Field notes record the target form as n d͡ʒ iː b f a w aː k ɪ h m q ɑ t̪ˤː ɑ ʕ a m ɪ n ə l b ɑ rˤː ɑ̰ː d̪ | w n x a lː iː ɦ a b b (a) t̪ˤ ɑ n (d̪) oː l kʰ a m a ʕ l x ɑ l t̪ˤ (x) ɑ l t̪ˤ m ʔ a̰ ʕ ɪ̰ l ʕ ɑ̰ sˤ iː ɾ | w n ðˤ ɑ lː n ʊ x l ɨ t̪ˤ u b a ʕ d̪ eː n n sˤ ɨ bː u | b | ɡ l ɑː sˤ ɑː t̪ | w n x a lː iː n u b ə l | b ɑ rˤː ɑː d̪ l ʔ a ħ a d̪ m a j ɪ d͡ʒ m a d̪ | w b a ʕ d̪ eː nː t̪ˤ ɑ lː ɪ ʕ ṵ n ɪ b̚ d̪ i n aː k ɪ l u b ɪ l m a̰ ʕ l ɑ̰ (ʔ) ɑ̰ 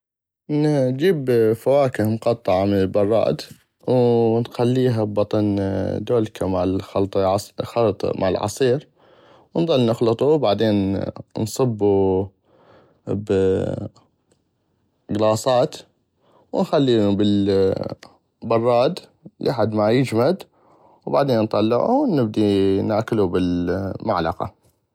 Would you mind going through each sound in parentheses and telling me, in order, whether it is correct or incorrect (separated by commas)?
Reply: incorrect, correct, correct, incorrect